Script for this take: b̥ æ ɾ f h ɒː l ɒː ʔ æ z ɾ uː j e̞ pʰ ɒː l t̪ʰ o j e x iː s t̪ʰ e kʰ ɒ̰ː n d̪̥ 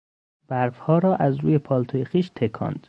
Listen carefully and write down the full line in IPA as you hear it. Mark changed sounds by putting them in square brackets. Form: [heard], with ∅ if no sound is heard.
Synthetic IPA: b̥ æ ɾ f h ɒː [ɾ] ɒː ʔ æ z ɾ uː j e̞ pʰ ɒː l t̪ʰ o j e x iː [ʃ] t̪ʰ e kʰ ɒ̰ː n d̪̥